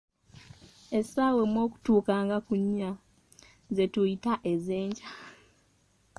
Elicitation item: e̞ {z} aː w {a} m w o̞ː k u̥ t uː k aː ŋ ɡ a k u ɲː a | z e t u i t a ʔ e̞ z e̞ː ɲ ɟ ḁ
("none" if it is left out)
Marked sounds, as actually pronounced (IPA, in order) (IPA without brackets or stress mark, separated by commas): s, e